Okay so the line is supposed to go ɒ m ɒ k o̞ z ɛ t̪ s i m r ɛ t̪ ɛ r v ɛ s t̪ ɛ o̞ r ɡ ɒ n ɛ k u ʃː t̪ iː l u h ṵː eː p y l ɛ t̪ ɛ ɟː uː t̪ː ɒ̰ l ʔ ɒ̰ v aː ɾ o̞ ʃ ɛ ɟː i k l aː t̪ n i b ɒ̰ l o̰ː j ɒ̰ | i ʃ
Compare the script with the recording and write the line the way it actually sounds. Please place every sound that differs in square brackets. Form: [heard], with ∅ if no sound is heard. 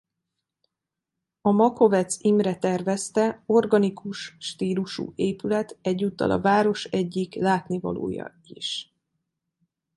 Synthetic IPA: ɒ m ɒ k o̞ [v] ɛ t̪ s i m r ɛ t̪ ɛ r v ɛ s t̪ ɛ o̞ r ɡ ɒ n [i] k u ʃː t̪ iː l u [ʃ] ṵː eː p y l ɛ t̪ ɛ ɟː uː t̪ː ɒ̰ l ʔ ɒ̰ v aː ɾ o̞ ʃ ɛ ɟː i k l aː t̪ n i [v] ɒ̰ l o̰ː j ɒ̰ | i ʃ